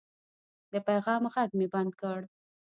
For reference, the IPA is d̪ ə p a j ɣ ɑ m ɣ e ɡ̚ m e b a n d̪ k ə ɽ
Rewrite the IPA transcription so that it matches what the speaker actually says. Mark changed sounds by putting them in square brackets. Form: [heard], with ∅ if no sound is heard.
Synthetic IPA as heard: d̪ ə p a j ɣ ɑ m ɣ [a] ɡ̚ m e b a n d̪ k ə ɽ